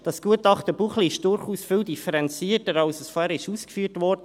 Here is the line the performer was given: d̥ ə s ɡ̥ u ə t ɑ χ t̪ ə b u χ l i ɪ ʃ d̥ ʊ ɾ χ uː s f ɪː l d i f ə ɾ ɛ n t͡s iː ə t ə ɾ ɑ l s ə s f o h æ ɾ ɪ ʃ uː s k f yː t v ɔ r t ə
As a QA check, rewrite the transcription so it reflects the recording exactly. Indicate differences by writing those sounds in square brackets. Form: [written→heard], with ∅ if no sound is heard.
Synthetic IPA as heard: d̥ [ə→ɑ] s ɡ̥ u ə t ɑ χ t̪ ə b u χ l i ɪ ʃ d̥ ʊ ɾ χ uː s f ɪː l d i f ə ɾ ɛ n t͡s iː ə t ə ɾ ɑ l s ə s f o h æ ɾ ɪ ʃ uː s k f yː t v ɔ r [t→d] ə